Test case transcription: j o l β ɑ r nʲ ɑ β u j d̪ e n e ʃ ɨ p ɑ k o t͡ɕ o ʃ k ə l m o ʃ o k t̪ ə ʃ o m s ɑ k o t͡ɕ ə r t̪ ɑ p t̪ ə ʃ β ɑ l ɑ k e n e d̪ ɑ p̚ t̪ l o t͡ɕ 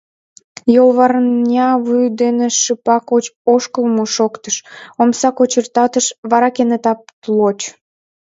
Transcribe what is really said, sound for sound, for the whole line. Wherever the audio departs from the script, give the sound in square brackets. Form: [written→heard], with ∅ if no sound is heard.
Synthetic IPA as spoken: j o l β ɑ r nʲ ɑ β u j d̪ e n e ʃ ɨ p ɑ k o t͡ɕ o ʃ k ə l m o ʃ o k t̪ ə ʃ o m s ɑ k o t͡ɕ ə r t̪ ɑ [p→∅] t̪ ə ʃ β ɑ [l→ɾ] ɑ k e n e [d̪→t̪] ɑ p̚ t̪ l o t͡ɕ